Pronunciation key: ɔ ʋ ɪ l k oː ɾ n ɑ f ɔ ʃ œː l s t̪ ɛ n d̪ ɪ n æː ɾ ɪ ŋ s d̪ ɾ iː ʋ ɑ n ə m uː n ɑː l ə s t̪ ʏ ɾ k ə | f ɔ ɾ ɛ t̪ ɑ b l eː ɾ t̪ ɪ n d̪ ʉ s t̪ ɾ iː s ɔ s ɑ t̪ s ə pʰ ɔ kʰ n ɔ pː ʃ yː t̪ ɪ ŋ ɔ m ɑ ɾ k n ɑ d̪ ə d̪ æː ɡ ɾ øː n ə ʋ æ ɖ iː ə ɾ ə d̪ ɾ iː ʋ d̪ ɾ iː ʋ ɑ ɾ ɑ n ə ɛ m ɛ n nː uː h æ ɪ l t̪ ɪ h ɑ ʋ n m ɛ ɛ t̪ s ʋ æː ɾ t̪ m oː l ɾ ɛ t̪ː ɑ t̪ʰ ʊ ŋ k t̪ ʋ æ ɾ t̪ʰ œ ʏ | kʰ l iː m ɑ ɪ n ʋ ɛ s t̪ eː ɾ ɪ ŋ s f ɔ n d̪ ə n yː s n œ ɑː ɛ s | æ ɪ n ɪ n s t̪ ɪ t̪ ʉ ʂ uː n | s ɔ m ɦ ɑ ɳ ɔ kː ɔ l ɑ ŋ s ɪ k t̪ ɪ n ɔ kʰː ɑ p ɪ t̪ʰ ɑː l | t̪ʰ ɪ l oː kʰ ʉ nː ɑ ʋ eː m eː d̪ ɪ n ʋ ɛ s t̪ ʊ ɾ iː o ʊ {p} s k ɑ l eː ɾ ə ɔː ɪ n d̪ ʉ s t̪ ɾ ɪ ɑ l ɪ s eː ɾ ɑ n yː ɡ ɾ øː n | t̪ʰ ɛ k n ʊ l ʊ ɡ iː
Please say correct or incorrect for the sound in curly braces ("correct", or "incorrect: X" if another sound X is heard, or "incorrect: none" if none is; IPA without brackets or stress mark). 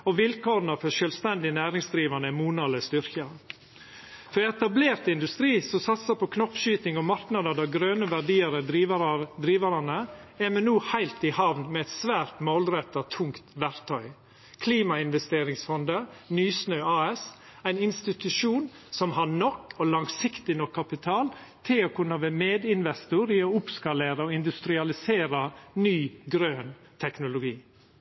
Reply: correct